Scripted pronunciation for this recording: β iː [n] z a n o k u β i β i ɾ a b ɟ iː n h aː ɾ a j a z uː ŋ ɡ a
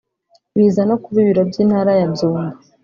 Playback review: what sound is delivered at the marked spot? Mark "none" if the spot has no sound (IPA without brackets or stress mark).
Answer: none